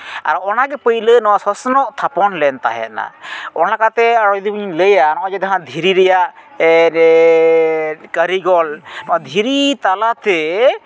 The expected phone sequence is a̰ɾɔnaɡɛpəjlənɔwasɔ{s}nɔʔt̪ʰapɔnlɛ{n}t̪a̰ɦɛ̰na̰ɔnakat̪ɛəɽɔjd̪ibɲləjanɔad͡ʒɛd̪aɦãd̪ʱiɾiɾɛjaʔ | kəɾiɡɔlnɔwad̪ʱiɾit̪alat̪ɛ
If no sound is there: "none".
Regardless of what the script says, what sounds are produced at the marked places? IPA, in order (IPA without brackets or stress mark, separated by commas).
s, n